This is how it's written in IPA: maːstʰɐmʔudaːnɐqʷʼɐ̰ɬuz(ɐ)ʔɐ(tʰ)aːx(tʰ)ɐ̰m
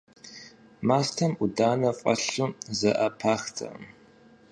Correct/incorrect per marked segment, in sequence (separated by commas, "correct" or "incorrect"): correct, incorrect, correct